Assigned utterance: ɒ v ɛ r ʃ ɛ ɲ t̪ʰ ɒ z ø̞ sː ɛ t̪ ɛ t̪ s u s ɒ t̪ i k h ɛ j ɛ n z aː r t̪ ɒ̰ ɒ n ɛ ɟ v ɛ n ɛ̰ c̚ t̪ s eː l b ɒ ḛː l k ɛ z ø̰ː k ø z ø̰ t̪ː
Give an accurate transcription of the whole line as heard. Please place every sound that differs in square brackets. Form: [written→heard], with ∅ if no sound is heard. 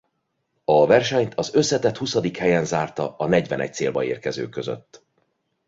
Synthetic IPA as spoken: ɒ v ɛ r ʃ ɛ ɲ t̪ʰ ɒ z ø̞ sː ɛ t̪ ɛ t̪ [s→h] u s ɒ [t̪→d̪] i k h ɛ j ɛ n z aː r t̪ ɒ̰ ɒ n ɛ ɟ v ɛ n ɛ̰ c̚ t̪ s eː l b ɒ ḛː [l→r] k ɛ z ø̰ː k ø z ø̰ t̪ː